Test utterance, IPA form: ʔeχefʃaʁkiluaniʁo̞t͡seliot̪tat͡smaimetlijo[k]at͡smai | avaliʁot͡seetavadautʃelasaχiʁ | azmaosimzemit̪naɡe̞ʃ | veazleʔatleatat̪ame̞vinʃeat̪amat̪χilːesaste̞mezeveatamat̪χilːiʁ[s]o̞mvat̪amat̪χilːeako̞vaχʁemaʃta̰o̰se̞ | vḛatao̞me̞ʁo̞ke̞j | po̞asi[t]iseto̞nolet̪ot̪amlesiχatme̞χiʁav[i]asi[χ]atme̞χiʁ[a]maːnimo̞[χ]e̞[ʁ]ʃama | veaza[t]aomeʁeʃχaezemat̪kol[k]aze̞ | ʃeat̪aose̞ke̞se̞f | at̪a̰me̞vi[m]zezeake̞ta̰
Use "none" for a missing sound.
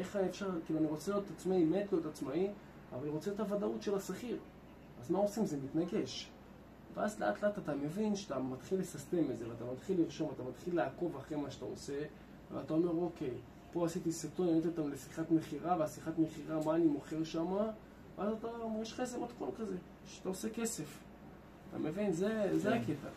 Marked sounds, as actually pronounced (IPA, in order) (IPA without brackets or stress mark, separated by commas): t, ʃ, t, e, χ, a, χ, ʁ, t, k, n